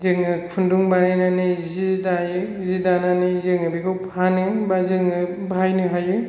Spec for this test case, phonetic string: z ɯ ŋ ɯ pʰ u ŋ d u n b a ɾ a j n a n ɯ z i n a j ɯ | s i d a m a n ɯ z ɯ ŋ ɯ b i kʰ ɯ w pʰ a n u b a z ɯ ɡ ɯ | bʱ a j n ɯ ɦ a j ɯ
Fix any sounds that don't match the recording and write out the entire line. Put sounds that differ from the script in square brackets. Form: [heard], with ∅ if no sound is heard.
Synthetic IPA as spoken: z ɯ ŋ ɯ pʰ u [n] d u [ŋ] b a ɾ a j n a n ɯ z i [d] a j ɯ | [z] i d a [n] a n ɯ z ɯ ŋ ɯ b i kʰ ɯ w pʰ a n [ɯ] b a z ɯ [ŋ] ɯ | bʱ a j n ɯ ɦ a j ɯ